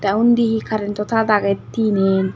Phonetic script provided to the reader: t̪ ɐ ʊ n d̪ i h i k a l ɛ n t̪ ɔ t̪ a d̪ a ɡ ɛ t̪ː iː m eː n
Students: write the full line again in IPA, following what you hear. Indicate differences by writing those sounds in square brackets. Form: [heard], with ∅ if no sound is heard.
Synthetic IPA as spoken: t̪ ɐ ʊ n d̪ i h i k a [ɾ] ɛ n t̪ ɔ t̪ a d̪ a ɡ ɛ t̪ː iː [n] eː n

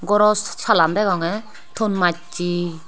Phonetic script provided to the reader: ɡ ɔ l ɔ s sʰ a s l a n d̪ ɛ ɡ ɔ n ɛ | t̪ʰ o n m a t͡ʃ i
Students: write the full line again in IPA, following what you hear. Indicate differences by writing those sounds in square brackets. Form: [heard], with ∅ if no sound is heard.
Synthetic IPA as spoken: ɡ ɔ [ɾ] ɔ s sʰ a [∅] l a n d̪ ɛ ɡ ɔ [ŋ] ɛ | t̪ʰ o n m a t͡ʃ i

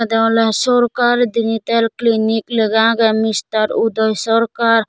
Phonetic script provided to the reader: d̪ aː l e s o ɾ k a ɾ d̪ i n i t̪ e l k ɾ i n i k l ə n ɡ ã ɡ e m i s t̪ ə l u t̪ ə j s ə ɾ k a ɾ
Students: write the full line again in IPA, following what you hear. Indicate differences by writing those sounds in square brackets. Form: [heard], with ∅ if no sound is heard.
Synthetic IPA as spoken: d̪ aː l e s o ɾ k a ɾ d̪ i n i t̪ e l k [l] i n i k l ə [∅] ɡ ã ɡ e m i s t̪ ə [ɾ] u [d̪] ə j s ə ɾ k a ɾ

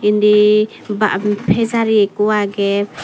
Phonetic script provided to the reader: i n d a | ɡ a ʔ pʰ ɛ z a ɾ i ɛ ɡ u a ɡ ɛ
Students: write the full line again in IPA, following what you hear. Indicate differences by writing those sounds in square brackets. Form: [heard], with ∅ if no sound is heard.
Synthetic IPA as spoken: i n d [i] | [b] a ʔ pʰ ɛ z a ɾ i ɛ [k] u a ɡ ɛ

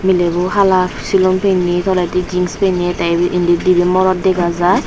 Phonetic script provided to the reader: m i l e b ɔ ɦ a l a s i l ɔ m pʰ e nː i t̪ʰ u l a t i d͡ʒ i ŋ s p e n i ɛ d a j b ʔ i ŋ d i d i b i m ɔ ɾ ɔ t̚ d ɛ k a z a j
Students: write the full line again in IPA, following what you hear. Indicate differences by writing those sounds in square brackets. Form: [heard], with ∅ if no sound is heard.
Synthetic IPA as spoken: m i l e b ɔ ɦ a l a s i l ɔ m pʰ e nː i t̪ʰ [ɔ] l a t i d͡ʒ i ŋ s p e n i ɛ [t] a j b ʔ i [n] d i d i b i m ɔ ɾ ɔ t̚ d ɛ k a z a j

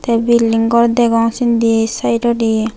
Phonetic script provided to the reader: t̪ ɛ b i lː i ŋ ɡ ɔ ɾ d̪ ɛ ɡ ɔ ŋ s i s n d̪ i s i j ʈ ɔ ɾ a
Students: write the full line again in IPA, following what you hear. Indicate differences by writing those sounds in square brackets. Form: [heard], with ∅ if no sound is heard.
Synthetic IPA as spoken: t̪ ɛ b i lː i ŋ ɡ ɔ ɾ d̪ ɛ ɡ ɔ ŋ s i [∅] n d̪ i s [a] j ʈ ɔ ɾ [i]

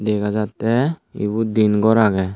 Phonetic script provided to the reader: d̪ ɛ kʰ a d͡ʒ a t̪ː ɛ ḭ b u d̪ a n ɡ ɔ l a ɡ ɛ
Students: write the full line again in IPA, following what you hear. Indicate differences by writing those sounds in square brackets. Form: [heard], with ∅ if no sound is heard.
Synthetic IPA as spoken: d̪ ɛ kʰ a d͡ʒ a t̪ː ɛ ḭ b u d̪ [i] n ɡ ɔ [ɾ] a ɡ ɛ

